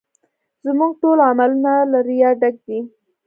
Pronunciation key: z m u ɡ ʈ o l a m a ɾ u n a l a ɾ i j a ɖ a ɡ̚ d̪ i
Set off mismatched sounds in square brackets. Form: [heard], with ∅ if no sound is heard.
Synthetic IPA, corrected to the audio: z m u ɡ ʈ o l a m a [l] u n a l a ɾ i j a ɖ a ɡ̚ d̪ i